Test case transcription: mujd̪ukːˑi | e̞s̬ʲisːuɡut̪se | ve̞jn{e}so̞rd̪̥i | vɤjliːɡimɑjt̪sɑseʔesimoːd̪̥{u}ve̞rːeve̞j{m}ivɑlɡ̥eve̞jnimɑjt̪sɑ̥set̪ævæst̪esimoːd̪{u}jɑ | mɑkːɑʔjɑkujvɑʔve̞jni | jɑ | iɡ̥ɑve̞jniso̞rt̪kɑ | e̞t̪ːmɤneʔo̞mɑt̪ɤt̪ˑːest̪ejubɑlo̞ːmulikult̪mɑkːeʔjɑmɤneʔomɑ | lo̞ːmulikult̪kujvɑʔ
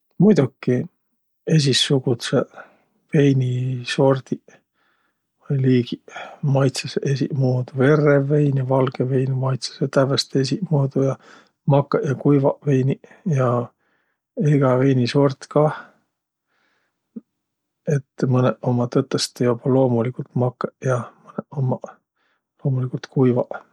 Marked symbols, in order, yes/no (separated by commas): no, yes, no, yes